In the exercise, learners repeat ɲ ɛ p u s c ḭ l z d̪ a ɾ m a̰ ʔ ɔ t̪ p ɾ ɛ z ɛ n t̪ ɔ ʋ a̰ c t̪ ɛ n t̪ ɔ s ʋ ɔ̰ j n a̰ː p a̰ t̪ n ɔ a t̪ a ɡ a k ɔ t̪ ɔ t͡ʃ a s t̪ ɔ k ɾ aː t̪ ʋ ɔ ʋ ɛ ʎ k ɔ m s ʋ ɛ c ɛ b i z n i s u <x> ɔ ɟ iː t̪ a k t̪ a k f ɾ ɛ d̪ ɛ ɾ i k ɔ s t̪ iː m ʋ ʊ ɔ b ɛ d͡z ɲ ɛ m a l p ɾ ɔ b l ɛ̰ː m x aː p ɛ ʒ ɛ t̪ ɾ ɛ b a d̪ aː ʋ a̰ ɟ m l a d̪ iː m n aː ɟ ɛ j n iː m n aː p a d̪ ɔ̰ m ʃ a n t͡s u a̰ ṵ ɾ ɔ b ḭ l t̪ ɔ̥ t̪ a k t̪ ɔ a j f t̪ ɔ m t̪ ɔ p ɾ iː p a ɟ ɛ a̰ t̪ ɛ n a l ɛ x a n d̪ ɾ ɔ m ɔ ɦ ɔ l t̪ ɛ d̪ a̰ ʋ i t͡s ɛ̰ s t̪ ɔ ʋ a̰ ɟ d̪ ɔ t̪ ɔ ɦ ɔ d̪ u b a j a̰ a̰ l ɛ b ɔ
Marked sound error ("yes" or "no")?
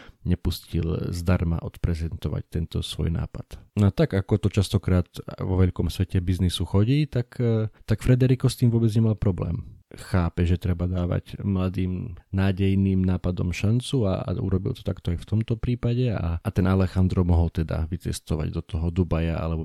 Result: no